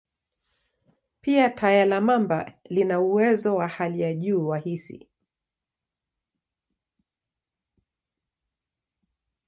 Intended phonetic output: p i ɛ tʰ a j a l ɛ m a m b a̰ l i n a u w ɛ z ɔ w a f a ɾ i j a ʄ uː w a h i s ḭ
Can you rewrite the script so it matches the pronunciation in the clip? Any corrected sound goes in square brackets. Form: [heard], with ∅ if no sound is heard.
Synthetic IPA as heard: p i [a] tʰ a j a l [a] m a m b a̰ l i n a u w ɛ z ɔ w a [h] a [l] i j a ʄ uː w a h i s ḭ